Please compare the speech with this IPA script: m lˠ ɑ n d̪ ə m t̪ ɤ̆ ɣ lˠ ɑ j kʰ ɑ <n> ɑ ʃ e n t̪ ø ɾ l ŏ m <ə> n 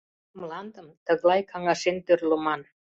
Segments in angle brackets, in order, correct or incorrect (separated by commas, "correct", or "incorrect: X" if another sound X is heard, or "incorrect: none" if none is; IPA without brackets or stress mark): incorrect: ŋ, incorrect: ɑ